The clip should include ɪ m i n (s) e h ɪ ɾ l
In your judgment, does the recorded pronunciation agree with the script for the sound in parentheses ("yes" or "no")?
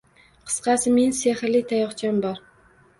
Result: yes